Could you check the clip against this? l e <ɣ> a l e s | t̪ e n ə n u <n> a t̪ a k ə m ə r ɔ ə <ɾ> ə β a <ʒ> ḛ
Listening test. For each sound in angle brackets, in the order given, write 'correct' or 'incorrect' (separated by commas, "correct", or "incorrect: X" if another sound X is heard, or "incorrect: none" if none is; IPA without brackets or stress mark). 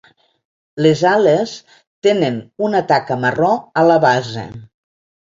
incorrect: z, correct, incorrect: l, incorrect: z